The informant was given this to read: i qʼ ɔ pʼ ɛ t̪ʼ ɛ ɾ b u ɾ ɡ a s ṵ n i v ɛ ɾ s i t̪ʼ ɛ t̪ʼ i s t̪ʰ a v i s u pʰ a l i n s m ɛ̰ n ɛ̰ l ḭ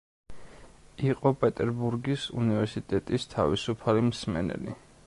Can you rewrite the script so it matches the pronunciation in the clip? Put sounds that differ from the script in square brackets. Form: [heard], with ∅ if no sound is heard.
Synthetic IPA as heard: i qʼ ɔ pʼ ɛ t̪ʼ ɛ ɾ b u ɾ ɡ [i] s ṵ n i v ɛ ɾ s i t̪ʼ ɛ t̪ʼ i s t̪ʰ a v i s u pʰ a l i [m] s m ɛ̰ n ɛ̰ l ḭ